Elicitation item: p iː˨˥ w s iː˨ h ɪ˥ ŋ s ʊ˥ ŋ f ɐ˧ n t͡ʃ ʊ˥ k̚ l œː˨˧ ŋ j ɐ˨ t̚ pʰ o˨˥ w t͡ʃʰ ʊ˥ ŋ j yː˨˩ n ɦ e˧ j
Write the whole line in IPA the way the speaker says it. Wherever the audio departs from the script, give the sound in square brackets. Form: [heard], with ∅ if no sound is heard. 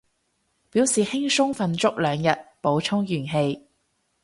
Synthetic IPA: p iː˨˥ w s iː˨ h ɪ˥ ŋ s ʊ˥ ŋ f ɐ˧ n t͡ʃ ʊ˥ k̚ l œː˨˧ ŋ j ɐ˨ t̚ [p] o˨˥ w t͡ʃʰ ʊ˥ ŋ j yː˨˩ n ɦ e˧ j